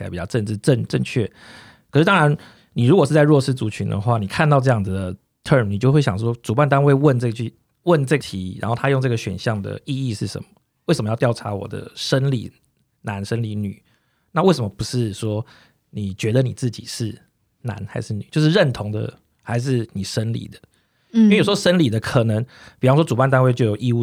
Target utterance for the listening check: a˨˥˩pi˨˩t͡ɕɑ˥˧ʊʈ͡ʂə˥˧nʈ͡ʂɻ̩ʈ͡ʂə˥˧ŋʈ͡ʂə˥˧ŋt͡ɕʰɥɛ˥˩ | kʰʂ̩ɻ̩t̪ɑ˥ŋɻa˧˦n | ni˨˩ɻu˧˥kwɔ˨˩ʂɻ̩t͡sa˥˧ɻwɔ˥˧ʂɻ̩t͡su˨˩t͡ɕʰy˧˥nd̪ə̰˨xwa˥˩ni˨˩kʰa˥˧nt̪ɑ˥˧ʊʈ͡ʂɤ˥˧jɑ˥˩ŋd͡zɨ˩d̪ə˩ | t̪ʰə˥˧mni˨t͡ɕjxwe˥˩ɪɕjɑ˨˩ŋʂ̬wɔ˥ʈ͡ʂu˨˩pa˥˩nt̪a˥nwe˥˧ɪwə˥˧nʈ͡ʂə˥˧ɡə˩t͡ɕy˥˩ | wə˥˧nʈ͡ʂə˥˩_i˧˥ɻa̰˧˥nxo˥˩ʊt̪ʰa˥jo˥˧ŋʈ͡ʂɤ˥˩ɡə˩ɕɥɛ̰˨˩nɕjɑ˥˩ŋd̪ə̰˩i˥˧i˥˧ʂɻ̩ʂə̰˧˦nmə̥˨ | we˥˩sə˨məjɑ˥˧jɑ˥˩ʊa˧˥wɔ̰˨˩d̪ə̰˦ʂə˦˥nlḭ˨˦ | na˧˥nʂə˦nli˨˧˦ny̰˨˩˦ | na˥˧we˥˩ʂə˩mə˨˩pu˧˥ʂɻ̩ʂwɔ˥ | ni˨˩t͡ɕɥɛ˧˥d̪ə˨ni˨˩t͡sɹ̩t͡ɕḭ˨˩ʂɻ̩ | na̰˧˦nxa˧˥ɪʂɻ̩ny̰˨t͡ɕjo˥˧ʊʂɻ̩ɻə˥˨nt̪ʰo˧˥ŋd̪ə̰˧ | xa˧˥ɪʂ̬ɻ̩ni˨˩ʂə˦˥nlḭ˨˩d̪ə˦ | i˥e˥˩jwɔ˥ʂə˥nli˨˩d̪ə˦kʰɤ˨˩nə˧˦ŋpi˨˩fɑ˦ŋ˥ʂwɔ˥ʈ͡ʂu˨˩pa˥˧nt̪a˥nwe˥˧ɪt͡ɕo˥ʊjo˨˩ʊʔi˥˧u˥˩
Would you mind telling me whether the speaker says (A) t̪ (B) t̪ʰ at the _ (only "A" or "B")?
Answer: B